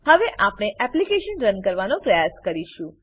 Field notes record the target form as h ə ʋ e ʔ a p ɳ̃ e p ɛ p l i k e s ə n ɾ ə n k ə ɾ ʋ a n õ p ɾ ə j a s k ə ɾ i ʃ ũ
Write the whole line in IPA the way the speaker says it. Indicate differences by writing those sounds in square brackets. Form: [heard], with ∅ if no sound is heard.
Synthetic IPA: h ə ʋ e ʔ a p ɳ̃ e [ʔ] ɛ p l i k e [ʃ] ə n ɾ ə n k ə ɾ ʋ a n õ p ɾ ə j a s k ə ɾ i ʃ ũ

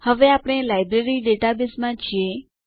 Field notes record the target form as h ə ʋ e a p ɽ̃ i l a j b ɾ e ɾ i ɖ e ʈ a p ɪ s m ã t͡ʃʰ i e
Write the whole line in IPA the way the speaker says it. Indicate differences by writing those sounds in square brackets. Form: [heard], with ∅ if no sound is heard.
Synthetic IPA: h ə ʋ e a p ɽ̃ [e] l a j b ɾ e ɾ i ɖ e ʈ a [b] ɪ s m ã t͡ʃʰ i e

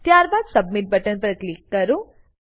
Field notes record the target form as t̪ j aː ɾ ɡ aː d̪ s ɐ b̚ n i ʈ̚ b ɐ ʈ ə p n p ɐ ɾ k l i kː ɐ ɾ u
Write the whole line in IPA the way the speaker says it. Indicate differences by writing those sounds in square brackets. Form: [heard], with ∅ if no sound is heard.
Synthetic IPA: t̪ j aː ɾ [b] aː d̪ s ɐ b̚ [m] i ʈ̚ b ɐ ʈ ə [∅] n p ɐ ɾ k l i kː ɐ ɾ u

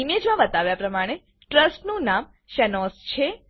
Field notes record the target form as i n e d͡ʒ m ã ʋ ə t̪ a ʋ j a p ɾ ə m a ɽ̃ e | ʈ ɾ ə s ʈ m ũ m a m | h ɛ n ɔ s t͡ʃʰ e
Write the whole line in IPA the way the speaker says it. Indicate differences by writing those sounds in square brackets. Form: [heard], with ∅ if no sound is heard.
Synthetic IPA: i [m] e d͡ʒ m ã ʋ ə t̪ a ʋ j a p ɾ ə m a ɽ̃ e | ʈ ɾ ə s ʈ [n] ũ [n] a m | [ʃ] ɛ n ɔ s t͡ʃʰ e

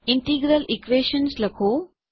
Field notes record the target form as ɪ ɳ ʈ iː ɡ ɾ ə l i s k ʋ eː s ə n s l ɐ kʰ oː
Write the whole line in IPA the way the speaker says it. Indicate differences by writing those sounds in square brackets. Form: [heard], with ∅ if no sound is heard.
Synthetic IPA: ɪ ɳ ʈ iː ɡ ɾ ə l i [∅] k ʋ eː [ʃ] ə n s l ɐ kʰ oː

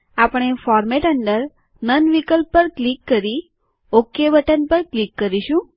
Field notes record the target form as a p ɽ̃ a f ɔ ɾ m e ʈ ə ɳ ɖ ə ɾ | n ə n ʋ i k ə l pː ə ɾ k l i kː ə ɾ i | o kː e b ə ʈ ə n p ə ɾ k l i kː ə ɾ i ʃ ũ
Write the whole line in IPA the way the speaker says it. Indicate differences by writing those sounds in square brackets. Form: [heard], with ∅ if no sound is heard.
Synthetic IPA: a p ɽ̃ [e] f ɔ ɾ m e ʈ ə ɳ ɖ ə ɾ | n ə n ʋ i k ə l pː ə ɾ k l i kː ə ɾ i | o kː e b ə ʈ ə n p ə ɾ k l i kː ə ɾ i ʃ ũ

